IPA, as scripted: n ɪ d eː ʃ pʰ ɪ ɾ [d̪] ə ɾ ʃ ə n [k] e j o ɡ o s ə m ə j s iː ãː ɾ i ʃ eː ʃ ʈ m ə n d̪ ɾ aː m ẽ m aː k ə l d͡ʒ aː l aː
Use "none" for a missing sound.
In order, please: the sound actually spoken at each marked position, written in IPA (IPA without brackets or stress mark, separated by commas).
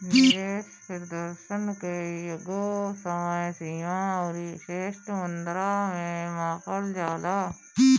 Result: d̪, k